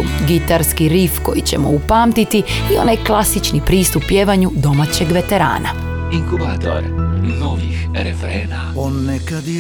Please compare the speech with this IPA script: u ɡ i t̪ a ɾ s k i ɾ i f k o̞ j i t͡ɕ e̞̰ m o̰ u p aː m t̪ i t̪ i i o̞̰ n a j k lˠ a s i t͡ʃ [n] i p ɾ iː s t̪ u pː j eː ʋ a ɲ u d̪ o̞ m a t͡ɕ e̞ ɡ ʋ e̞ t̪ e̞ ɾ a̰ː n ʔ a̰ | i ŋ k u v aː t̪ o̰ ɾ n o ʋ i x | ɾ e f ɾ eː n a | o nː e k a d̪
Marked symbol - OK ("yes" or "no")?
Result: yes